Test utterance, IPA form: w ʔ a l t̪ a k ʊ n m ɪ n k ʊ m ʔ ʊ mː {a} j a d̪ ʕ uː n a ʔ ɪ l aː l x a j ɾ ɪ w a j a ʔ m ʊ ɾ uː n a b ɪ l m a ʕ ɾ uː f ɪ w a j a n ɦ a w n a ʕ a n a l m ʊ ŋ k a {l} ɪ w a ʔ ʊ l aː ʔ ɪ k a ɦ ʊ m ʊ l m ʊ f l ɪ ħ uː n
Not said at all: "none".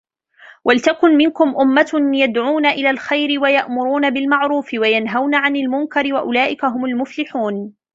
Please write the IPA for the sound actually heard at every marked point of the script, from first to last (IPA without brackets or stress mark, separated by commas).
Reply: a, ɾ